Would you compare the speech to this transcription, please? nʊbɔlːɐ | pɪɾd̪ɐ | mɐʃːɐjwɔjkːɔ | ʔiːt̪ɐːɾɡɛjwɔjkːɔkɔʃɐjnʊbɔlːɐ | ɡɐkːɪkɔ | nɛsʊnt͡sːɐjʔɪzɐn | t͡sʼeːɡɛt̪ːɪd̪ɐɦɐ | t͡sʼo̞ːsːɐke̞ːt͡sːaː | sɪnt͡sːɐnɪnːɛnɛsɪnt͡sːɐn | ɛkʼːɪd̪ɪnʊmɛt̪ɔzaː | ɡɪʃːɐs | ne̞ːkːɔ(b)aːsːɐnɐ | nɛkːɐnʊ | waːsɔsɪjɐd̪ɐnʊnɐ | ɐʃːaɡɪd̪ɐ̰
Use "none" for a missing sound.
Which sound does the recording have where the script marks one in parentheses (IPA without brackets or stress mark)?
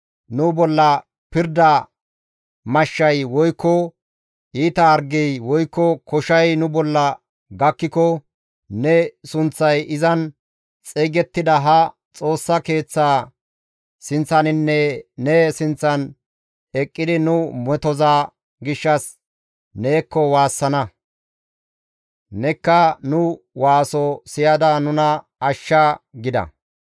w